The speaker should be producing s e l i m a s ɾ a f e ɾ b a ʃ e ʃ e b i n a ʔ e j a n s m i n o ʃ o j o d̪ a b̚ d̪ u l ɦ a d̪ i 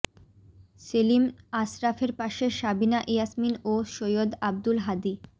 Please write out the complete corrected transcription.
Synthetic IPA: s e l i m a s ɾ a f e ɾ p a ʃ e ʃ a b i n a ʔ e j a s m i n o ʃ o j o d̪ a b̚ d̪ u l ɦ a d̪ i